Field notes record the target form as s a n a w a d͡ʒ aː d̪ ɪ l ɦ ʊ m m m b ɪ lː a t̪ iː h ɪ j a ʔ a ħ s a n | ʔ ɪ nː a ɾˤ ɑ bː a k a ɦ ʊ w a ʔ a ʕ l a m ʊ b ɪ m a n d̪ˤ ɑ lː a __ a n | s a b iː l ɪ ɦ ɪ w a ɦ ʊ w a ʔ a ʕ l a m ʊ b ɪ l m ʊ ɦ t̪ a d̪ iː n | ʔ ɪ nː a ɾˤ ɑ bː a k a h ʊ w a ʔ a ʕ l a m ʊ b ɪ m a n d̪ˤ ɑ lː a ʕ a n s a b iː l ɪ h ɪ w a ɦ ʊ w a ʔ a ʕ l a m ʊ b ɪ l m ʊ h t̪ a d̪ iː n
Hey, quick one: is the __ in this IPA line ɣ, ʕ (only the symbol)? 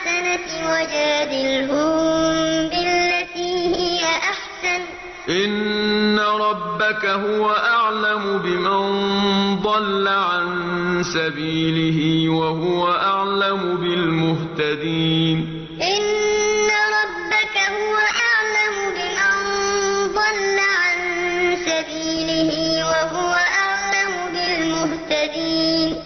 ʕ